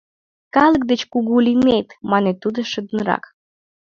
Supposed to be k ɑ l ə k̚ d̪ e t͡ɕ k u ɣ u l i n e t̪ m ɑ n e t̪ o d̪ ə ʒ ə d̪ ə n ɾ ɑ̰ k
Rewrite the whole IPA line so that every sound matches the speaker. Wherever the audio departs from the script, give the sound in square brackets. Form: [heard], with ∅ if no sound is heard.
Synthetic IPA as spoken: k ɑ l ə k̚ d̪ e t͡ɕ k u ɣ u l i [m] e t̪ m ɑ n e t̪ [u] d̪ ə [ʃ] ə d̪ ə n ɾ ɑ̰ k